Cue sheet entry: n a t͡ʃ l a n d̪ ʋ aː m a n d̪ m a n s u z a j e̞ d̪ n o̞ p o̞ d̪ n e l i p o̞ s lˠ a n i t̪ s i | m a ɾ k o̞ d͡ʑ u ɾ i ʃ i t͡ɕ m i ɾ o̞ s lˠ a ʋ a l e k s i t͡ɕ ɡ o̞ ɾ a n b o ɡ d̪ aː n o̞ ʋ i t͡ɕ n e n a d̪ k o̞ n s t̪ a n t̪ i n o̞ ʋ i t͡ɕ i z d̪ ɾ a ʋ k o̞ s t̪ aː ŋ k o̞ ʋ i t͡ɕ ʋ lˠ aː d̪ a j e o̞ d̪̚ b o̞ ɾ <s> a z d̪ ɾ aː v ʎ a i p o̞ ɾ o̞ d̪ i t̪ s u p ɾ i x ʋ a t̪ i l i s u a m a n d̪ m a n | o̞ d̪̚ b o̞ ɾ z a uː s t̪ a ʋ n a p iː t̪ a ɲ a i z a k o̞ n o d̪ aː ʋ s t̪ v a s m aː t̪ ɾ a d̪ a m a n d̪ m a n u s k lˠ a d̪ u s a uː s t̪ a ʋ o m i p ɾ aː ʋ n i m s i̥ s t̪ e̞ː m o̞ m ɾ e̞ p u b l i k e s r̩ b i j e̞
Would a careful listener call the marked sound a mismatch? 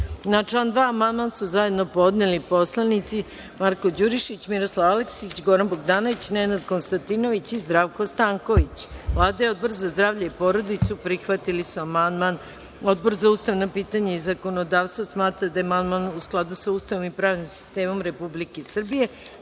yes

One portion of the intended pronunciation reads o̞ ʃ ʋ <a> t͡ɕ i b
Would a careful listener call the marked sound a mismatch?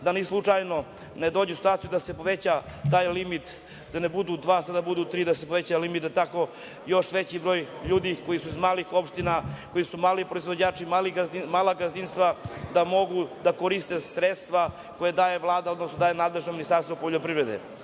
yes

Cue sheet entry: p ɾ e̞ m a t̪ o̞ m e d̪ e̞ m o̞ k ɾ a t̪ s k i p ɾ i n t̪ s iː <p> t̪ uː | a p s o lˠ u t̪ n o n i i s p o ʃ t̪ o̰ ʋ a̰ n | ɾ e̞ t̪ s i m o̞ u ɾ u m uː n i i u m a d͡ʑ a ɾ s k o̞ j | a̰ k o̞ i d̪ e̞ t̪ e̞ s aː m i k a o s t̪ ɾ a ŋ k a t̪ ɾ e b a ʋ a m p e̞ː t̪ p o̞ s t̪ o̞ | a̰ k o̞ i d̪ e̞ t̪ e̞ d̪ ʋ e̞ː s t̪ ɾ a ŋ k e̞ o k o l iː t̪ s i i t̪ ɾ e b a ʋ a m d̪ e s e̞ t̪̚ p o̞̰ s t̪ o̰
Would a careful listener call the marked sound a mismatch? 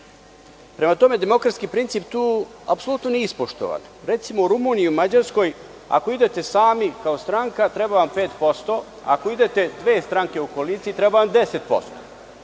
no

